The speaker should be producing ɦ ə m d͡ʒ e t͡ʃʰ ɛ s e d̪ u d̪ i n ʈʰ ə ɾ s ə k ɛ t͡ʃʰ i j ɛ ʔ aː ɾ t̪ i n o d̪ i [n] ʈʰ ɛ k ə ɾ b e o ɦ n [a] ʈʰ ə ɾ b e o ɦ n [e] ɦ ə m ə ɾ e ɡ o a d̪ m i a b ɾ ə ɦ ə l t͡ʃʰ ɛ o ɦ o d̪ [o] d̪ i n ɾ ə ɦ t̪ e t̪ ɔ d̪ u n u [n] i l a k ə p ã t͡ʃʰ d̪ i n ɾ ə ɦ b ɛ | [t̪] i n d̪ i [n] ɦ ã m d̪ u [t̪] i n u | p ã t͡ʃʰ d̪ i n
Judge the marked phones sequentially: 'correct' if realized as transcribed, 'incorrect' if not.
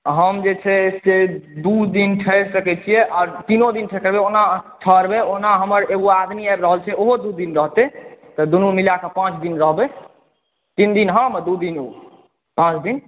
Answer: correct, correct, incorrect: a, incorrect: u, incorrect: m, correct, correct, incorrect: d̪

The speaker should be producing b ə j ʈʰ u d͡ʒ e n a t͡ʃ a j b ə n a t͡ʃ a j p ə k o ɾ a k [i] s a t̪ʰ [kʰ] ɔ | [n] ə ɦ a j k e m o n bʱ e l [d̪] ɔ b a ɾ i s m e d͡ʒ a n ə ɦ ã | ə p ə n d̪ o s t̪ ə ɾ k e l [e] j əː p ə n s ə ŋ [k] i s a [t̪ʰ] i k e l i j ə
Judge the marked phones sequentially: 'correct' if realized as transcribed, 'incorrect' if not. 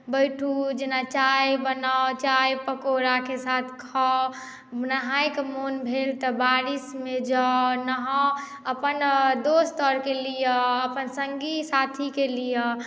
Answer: incorrect: e, correct, correct, incorrect: t̪, incorrect: i, incorrect: ɡ, correct

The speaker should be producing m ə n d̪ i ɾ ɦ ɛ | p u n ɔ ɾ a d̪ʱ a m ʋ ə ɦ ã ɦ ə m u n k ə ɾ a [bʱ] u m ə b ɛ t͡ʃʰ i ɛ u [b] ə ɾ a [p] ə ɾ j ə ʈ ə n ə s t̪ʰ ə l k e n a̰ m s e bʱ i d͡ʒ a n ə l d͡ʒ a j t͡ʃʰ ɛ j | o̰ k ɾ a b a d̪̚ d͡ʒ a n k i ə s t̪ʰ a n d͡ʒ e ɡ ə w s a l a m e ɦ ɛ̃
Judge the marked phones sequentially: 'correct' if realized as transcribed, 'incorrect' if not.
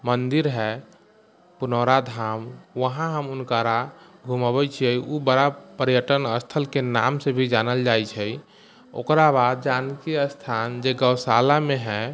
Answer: incorrect: ɡʱ, correct, correct

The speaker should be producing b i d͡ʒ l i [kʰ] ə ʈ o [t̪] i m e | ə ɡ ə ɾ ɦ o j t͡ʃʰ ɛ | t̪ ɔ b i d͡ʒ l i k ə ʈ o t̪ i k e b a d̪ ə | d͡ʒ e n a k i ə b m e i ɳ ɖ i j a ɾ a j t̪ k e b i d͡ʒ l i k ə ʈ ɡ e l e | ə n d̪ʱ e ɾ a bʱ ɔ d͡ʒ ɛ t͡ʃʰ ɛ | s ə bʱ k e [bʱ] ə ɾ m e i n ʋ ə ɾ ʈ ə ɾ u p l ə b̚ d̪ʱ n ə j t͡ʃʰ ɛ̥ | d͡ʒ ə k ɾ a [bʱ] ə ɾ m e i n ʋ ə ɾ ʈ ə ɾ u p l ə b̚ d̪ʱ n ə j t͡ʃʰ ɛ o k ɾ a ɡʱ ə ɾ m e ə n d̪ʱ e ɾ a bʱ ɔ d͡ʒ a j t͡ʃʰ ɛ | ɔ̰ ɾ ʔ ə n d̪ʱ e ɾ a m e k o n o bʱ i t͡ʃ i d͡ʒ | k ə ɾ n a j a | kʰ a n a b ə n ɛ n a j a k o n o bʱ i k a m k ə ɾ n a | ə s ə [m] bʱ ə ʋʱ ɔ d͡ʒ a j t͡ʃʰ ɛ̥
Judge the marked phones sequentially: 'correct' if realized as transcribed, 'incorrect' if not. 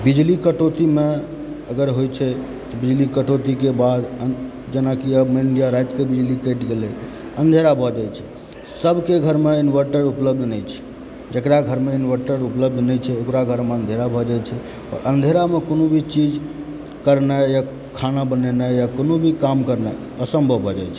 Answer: incorrect: k, correct, incorrect: ɡʱ, incorrect: ɡʱ, correct

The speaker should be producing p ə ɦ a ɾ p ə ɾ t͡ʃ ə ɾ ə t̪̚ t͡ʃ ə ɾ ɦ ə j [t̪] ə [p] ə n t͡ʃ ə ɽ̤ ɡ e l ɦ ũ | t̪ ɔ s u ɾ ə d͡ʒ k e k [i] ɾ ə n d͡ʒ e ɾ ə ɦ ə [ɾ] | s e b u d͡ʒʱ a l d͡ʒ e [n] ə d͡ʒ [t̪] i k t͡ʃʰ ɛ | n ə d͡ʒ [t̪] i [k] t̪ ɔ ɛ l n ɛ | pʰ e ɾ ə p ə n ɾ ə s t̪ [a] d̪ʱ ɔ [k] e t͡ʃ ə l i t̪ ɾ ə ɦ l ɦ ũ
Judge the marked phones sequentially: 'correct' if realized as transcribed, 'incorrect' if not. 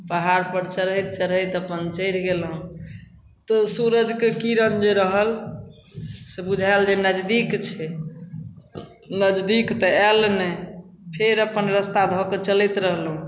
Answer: correct, correct, correct, incorrect: l, correct, incorrect: d̪, incorrect: d̪, correct, correct, correct

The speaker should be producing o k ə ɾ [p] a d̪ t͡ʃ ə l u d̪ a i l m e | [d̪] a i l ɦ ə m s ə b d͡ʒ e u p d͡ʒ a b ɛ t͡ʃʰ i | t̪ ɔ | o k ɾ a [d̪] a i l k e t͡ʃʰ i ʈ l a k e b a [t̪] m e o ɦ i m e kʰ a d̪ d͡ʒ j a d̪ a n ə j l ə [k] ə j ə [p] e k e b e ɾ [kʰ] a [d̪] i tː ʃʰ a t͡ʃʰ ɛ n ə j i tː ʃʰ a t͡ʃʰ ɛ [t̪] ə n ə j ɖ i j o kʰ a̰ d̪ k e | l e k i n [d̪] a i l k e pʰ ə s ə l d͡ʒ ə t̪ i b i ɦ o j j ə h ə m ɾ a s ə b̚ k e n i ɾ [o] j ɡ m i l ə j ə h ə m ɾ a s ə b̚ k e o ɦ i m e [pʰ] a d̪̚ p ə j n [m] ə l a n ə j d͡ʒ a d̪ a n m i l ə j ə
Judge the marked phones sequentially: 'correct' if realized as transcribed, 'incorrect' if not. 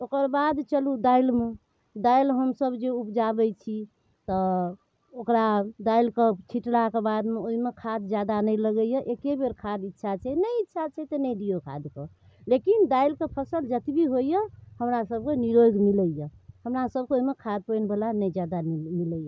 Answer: incorrect: b, correct, correct, incorrect: d̪, incorrect: ɡ, incorrect: ʔ, correct, correct, correct, correct, correct, incorrect: kʰ, incorrect: b

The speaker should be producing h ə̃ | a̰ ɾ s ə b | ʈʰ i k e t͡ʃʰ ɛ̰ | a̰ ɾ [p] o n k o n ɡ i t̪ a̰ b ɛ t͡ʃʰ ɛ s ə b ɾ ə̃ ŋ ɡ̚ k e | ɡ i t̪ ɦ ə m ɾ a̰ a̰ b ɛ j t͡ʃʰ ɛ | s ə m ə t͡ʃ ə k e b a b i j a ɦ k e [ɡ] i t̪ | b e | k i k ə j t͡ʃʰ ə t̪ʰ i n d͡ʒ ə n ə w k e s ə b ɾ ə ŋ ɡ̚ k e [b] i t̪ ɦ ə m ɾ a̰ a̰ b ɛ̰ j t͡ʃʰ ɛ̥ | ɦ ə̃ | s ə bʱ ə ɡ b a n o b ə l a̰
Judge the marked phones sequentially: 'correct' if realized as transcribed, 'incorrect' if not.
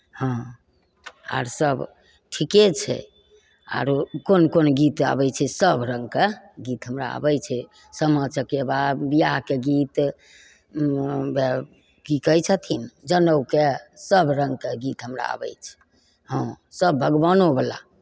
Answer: incorrect: k, correct, incorrect: ɡ

